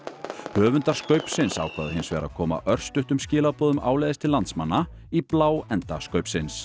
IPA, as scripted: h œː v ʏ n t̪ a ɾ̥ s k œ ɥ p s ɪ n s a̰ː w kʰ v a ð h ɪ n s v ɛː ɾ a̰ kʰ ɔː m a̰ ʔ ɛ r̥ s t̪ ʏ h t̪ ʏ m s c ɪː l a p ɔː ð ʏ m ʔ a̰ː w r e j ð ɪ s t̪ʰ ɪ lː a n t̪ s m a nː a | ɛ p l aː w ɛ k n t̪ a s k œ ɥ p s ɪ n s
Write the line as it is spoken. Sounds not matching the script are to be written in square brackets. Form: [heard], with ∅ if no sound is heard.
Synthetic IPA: h œː v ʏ n t̪ a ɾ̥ s k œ ɥ p s ɪ n s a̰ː w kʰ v a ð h ɪ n s v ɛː ɾ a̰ kʰ ɔː m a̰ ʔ [œ] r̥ s t̪ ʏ h t̪ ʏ m s c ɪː l a p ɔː ð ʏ m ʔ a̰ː w [l] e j ð ɪ s t̪ʰ ɪ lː a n t̪ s m a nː a | [i] p l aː w ɛ [∅] n t̪ a s k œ ɥ p s ɪ n s